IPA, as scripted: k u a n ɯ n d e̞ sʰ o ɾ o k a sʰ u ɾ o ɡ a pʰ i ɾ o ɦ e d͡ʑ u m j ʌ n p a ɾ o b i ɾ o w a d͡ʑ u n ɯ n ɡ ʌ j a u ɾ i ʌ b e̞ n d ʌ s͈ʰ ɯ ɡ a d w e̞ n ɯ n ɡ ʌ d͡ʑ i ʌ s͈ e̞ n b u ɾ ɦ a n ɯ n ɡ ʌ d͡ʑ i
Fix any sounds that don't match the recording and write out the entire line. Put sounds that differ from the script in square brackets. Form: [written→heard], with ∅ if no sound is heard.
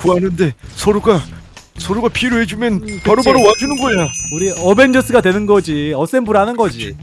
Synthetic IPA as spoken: k u a n ɯ n d e̞ sʰ o ɾ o [k→ɡ] a sʰ [u→o] ɾ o ɡ a pʰ i ɾ o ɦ e d͡ʑ u m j ʌ n p a ɾ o b [i→a] ɾ o w a d͡ʑ u n ɯ n ɡ ʌ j a u ɾ i ʌ b e̞ n [d→d͡ʑ] ʌ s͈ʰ ɯ ɡ a d w e̞ n ɯ n ɡ ʌ d͡ʑ i ʌ s͈ e̞ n b u ɾ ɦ a n ɯ n ɡ ʌ d͡ʑ i